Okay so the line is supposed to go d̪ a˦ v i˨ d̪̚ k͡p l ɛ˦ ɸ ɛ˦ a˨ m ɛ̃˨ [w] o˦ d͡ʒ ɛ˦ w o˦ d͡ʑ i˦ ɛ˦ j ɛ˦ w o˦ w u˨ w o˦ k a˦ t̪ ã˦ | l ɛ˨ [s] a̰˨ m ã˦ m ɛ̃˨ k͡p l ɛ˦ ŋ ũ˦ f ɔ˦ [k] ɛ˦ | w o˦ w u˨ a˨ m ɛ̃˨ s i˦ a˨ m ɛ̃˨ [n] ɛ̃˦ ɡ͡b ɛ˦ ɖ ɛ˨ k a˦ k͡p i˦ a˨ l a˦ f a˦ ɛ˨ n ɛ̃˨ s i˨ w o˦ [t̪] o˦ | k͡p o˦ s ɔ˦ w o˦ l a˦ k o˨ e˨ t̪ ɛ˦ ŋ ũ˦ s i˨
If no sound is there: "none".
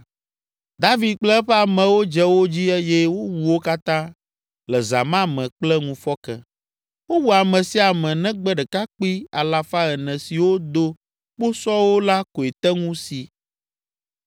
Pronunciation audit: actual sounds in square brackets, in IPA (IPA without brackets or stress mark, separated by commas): w, z, k, n, d̪